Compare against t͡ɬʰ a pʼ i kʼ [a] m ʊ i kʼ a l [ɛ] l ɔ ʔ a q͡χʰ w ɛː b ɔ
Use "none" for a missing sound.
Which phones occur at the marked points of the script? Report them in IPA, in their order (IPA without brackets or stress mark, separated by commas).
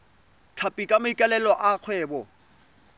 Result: a, ɛ